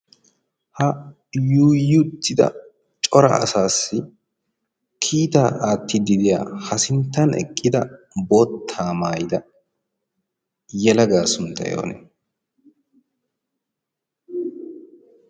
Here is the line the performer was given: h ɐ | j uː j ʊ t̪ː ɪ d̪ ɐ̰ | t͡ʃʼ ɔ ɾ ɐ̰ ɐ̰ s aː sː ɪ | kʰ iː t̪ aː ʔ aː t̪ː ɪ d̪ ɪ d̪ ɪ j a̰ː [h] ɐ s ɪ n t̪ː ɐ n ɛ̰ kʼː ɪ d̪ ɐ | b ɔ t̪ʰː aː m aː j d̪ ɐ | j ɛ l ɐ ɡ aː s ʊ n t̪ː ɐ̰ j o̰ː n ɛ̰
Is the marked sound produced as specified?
yes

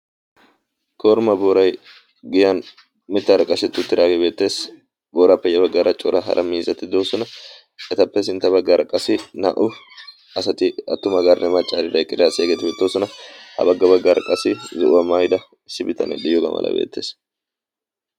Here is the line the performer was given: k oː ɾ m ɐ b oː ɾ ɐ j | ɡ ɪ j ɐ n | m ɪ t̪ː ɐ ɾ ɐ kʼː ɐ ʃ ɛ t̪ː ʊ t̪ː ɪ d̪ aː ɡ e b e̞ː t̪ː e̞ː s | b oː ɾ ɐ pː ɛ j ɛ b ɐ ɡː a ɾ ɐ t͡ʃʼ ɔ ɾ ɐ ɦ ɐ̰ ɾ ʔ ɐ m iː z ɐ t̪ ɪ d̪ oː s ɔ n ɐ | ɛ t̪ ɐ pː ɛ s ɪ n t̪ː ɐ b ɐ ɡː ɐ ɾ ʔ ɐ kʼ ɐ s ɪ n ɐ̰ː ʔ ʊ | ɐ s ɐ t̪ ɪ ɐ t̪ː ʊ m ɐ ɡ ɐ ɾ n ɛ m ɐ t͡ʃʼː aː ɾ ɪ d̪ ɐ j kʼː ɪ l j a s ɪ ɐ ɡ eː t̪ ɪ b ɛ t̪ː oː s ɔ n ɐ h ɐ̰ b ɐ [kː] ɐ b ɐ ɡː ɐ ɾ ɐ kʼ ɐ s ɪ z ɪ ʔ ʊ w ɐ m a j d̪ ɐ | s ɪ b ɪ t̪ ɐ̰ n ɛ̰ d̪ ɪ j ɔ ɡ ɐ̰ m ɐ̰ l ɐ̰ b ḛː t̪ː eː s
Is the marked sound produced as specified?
no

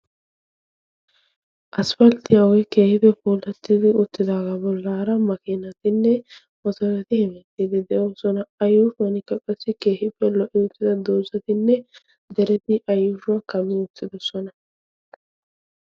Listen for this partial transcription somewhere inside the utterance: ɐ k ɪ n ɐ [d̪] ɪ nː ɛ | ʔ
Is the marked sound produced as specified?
no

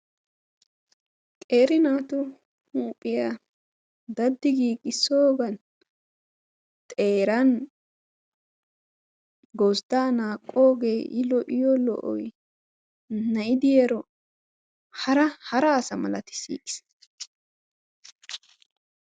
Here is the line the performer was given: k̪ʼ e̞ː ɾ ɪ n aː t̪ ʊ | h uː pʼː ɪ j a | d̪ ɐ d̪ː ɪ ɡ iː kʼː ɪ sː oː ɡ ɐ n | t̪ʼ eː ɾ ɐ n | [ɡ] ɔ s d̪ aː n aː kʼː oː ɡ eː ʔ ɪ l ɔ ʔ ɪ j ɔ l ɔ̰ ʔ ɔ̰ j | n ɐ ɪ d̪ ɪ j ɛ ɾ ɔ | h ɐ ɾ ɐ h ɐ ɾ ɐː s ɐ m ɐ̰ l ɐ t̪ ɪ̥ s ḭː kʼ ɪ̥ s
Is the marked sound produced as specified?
yes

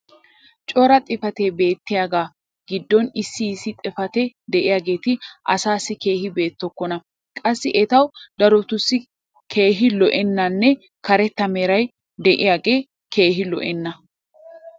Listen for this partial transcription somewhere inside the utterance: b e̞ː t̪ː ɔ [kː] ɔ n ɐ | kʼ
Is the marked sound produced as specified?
yes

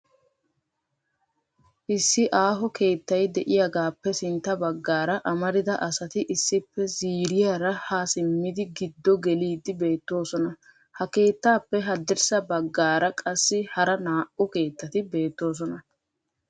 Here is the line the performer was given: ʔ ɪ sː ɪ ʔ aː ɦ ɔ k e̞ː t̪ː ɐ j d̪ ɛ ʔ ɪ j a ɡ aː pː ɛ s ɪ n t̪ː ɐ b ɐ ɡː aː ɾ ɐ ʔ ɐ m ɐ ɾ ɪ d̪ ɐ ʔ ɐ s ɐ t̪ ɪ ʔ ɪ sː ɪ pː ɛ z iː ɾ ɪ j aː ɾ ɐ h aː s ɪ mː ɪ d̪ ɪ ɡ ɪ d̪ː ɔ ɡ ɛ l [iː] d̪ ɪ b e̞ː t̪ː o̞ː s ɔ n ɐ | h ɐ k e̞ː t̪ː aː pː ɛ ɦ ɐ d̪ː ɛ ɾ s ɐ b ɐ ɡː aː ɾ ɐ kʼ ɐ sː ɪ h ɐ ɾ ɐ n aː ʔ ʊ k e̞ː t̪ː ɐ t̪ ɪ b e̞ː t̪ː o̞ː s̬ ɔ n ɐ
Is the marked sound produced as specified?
yes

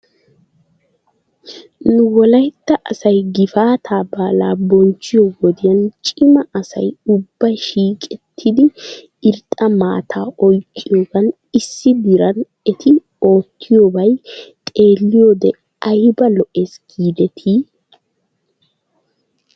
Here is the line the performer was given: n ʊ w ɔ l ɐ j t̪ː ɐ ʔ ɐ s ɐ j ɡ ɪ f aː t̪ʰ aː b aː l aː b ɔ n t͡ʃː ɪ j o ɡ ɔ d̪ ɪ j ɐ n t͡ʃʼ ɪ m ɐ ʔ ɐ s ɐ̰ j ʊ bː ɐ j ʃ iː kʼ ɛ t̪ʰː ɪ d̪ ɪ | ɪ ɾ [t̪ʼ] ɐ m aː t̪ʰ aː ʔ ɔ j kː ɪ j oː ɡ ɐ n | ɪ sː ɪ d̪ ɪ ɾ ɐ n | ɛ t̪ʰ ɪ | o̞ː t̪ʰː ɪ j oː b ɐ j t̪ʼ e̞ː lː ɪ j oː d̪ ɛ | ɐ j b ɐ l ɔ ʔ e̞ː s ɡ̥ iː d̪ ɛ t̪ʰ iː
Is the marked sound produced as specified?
yes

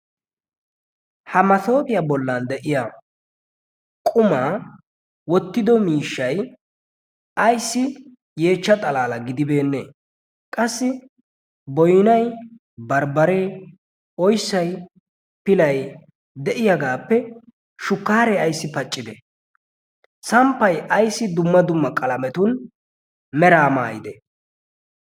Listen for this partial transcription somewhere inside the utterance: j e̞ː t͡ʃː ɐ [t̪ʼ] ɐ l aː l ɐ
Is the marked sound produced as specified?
yes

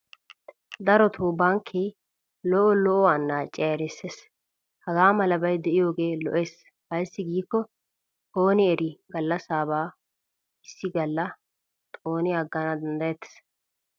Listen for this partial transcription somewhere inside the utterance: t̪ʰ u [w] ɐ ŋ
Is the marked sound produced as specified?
no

